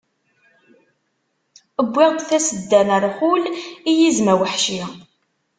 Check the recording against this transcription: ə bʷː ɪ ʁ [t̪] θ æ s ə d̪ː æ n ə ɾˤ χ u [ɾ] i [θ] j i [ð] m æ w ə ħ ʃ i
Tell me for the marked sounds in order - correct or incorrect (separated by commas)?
incorrect, incorrect, incorrect, incorrect